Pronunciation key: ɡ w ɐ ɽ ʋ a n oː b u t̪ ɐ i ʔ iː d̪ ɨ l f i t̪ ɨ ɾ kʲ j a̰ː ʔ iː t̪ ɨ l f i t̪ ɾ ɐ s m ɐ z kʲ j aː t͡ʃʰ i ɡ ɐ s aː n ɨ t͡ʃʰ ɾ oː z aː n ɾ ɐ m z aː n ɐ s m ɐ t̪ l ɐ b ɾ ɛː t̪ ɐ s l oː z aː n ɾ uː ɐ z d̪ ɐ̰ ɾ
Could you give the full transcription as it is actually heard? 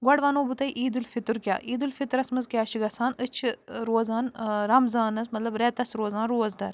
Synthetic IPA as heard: ɡ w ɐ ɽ ʋ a n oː b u t̪ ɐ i ʔ iː d̪ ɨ l f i t̪ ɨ ɾ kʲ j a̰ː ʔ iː d̪ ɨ l f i t̪ ɾ ɐ s m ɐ z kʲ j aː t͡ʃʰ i ɡ ɐ s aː n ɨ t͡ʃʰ ɾ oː z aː n ɾ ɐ m z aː n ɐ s m ɐ t̪ l ɐ b ɾ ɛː t̪ ɐ s ɾ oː z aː n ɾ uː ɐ z d̪ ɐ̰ ɾ

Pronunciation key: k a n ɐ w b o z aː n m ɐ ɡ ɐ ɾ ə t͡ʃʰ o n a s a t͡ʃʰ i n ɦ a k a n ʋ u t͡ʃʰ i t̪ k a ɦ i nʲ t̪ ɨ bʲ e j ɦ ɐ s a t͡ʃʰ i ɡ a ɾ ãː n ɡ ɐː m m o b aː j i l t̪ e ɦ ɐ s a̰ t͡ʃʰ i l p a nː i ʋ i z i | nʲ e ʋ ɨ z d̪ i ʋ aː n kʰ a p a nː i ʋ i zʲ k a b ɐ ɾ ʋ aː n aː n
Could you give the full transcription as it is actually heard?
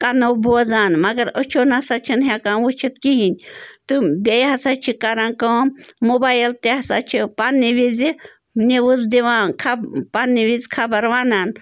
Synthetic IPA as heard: k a n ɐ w b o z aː n m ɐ ɡ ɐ ɾ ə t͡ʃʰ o n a s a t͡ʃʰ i n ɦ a k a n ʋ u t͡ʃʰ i t̪ k i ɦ i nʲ t̪ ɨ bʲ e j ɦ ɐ s a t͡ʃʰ i k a ɾ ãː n k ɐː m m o b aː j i l t̪ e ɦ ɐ s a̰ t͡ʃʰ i p a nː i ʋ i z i | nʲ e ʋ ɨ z d̪ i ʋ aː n kʰ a p a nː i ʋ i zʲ kʰ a b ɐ ɾ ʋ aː n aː n

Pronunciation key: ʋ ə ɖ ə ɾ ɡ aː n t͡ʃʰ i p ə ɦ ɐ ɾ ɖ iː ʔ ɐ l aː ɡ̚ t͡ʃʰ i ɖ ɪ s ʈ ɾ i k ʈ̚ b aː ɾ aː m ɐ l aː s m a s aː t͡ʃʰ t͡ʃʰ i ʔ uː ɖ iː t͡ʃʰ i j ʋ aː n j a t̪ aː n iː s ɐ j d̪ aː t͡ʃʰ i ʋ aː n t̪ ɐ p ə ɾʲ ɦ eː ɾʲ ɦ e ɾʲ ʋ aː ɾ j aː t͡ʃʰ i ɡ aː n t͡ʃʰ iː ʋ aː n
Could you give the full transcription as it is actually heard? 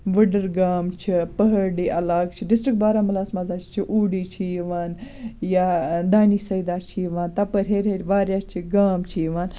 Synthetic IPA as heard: ʋ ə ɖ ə ɾ ɡ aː m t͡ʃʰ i p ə ɦ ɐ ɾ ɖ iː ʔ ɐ l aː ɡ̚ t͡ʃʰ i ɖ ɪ s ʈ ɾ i k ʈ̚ b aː ɾ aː m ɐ l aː s m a z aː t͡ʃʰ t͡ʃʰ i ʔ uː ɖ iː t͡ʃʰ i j ʋ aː n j a d̪ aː n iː s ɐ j d̪ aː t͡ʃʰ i ʋ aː n t̪ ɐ p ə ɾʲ ɦ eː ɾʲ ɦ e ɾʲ ʋ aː ɾ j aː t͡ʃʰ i ɡ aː m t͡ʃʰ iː ʋ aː n

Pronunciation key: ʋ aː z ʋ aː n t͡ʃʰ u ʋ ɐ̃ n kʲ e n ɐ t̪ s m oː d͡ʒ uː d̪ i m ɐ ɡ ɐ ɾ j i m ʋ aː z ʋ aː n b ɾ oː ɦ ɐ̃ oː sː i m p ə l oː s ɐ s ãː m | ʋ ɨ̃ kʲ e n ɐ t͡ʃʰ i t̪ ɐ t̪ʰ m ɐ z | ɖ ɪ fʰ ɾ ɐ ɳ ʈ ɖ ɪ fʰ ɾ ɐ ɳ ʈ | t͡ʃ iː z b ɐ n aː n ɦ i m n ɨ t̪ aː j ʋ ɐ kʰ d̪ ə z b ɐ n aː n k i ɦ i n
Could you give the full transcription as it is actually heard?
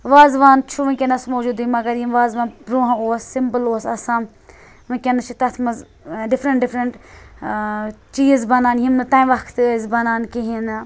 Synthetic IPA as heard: ʋ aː z ʋ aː n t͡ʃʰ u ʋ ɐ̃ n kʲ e n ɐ s m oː d͡ʒ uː d̪ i m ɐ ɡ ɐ ɾ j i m ʋ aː z ʋ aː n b ɾ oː ɦ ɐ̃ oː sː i m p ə l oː s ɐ s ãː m | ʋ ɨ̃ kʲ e n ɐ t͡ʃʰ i t̪ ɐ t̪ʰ m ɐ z | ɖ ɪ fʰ ɾ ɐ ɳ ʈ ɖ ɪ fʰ ɾ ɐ ɳ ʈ | t͡ʃ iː z b ɐ n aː n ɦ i m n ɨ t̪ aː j ʋ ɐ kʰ t̪ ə z b ɐ n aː n k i ɦ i n

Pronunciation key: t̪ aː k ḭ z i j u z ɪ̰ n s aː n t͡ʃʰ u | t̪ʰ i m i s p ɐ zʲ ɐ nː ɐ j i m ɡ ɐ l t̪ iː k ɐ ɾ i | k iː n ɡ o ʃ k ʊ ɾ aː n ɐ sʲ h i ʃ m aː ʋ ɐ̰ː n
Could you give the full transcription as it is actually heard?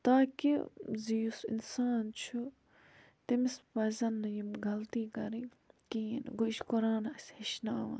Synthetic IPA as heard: t̪ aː k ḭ z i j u s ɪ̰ n s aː n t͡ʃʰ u | t̪ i m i s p ɐ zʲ ɐ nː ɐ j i m ɡ ɐ l t̪ iː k ɐ ɾ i | k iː n ɡ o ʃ k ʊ ɾ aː n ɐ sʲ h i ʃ n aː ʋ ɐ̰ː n

